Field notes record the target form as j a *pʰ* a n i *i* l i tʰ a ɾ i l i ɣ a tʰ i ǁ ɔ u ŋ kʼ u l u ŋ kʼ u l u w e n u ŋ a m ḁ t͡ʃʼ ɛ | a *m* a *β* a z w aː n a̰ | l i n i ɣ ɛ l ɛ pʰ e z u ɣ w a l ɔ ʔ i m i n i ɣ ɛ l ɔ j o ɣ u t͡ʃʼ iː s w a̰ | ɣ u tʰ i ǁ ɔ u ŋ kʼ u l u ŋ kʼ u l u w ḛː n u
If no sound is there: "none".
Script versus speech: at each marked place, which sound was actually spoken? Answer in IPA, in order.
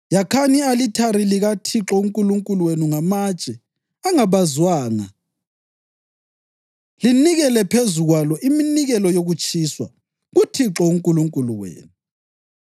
kʰ, a, ŋ, β

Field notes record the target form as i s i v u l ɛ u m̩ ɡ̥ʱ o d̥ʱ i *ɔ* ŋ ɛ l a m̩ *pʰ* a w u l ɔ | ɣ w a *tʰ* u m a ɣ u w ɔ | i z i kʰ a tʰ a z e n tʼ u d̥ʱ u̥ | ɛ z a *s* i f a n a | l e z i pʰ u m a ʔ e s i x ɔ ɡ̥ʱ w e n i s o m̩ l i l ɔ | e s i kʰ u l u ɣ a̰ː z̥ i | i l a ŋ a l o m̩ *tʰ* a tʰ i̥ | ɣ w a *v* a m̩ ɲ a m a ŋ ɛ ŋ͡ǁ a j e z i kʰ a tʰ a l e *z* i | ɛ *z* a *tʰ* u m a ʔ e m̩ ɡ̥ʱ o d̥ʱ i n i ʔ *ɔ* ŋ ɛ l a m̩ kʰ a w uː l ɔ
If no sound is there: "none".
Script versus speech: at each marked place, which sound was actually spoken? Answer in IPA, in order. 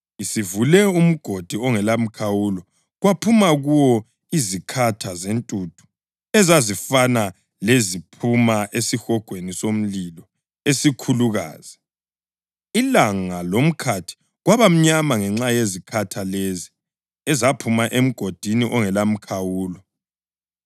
ɔ, kʰ, pʰ, z, kʰ, β, z, z, pʰ, ɔ

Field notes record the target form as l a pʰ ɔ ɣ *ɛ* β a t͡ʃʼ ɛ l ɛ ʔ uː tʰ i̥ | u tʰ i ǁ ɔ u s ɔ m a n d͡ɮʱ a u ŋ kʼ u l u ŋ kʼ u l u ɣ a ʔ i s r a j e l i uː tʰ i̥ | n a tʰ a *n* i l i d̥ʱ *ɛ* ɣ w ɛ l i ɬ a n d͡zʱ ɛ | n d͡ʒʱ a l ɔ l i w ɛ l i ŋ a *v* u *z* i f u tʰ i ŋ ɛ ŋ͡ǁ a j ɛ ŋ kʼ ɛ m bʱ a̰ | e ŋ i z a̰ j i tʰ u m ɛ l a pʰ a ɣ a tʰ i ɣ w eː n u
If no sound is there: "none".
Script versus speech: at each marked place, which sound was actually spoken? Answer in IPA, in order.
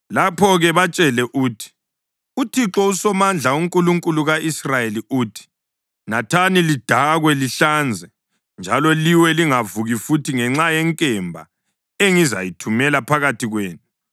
ɛ, n, a, v, ɣ

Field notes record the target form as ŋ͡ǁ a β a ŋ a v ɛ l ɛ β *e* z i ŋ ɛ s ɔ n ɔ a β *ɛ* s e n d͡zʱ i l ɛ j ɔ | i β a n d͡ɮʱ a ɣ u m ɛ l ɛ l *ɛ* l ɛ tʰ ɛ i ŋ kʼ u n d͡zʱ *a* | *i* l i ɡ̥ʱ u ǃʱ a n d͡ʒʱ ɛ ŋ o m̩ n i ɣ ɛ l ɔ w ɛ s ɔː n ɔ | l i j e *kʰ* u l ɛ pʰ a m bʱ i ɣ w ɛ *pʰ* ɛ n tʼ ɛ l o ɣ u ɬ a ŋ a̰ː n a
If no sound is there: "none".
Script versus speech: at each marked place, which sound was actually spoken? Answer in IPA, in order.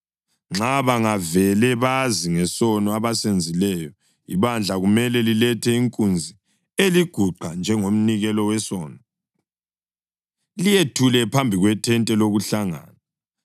a, a, i, i, e, tʰ, tʰ

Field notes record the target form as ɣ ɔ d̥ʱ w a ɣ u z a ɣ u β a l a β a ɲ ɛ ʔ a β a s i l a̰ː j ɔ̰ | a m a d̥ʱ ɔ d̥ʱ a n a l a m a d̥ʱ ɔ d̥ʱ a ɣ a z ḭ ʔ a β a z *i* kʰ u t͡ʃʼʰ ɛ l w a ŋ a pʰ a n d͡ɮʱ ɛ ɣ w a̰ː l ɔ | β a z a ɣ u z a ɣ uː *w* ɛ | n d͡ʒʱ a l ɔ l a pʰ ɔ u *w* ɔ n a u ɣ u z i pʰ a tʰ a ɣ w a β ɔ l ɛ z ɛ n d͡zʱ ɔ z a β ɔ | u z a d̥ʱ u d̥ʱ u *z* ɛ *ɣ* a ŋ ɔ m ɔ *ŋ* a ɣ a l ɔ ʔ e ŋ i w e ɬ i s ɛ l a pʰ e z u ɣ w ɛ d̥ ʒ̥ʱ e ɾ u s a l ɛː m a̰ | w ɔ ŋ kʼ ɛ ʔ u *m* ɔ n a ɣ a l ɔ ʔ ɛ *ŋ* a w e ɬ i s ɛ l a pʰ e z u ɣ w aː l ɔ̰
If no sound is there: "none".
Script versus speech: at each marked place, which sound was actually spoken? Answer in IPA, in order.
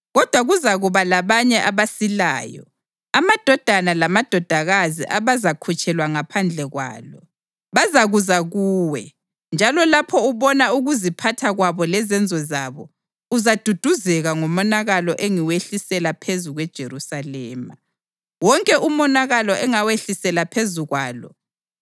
a, w, β, z, ɣ, n, m, ŋ

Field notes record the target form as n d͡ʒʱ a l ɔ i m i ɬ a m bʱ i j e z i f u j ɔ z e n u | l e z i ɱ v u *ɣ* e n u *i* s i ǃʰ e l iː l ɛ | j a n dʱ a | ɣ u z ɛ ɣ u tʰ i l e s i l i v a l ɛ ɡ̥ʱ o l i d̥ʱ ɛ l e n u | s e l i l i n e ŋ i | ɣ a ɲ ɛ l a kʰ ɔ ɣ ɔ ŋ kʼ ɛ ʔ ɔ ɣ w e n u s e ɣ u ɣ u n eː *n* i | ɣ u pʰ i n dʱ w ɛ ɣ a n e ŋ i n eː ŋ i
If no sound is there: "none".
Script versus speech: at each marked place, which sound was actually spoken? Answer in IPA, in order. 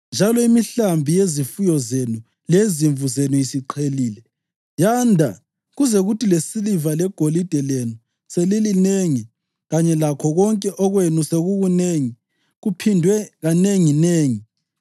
z, i, ŋ

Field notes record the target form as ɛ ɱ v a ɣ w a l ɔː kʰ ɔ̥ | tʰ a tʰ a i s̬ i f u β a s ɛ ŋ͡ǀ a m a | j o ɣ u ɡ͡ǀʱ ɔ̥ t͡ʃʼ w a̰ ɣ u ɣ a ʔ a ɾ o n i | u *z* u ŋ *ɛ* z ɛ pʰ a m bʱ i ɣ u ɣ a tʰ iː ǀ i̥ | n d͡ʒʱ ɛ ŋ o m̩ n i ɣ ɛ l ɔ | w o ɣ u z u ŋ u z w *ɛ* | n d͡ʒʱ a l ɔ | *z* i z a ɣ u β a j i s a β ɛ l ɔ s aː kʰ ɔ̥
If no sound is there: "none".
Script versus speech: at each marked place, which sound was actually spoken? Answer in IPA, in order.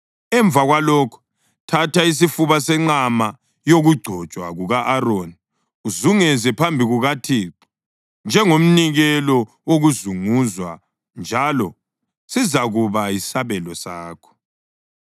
z, ɛ, a, s

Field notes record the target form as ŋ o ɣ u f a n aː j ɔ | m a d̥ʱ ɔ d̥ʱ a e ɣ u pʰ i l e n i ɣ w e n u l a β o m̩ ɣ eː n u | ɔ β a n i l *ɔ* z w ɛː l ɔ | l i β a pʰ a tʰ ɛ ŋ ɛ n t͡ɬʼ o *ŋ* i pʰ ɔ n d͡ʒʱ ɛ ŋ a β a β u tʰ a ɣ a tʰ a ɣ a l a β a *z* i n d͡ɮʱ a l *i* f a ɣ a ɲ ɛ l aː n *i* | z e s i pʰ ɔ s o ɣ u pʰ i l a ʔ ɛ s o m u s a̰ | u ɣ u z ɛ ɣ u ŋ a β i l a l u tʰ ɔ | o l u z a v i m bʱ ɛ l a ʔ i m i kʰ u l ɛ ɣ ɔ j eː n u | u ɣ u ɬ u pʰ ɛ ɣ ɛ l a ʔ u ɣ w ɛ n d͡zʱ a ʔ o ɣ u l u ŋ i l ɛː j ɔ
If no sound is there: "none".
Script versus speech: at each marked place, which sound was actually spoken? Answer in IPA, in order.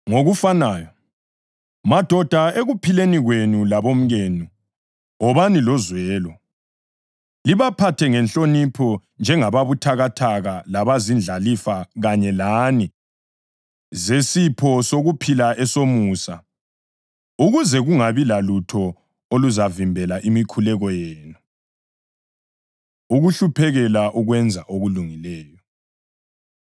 ɔ, n, z, i, i

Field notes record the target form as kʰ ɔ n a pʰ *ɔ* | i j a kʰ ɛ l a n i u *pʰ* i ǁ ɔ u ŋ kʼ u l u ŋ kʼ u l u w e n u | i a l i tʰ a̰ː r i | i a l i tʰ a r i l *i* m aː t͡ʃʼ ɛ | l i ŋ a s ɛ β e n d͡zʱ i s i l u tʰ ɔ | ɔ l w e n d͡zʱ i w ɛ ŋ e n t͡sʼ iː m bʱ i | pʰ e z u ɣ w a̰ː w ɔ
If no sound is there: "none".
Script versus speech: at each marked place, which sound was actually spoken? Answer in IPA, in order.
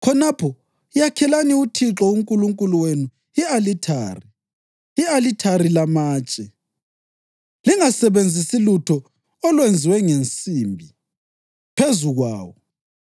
ɔ, tʰ, a

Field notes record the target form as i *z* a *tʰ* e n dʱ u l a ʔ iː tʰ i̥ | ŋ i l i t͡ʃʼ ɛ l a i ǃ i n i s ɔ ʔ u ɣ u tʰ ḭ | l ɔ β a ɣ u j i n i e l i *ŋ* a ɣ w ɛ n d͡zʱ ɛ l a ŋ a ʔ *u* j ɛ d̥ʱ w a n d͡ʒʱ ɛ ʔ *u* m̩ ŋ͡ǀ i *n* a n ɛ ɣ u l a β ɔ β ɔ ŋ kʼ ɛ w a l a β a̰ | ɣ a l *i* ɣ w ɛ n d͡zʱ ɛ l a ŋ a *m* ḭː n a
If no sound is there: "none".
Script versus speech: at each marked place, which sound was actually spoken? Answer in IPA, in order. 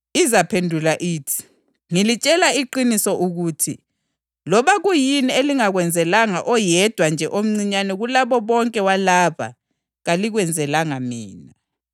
z, pʰ, ŋ, ɔ, o, ɲ, i, m

